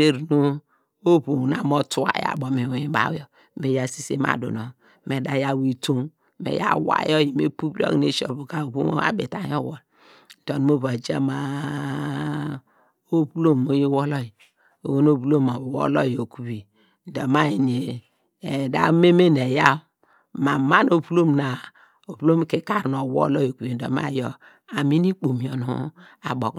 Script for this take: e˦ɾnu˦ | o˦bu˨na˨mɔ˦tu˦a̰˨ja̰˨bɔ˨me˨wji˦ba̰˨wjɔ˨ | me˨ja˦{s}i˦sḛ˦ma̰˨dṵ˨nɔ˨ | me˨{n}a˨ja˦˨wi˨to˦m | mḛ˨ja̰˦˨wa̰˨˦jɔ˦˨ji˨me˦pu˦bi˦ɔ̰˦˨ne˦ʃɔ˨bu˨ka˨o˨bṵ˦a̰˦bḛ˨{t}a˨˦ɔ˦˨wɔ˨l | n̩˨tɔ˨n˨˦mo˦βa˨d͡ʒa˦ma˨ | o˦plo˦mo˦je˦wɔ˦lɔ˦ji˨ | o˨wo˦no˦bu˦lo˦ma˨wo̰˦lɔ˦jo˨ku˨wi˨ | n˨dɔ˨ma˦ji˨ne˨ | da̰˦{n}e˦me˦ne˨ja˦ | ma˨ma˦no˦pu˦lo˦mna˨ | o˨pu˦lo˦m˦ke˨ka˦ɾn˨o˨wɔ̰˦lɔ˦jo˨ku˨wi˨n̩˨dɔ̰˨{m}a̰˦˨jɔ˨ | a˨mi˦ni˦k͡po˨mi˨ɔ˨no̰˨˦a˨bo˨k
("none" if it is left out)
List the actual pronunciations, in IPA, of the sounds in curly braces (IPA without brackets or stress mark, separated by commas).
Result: s, d, t, m, m